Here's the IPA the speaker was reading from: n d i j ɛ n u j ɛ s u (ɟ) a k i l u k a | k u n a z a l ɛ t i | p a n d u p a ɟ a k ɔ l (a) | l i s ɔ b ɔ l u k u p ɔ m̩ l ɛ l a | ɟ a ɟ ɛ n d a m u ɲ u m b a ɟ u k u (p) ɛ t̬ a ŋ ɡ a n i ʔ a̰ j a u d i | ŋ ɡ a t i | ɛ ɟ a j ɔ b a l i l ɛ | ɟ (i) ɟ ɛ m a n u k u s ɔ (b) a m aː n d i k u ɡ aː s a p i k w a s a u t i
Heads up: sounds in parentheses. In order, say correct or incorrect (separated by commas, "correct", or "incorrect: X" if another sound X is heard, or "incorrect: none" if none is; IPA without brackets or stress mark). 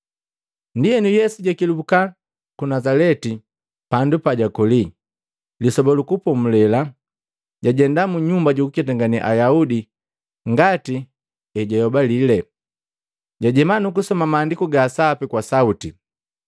correct, incorrect: i, incorrect: k, incorrect: a, incorrect: m